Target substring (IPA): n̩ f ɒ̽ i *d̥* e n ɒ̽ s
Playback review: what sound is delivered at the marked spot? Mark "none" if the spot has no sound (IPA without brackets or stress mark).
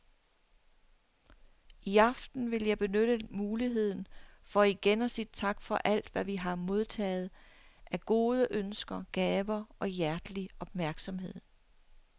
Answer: ɡ̥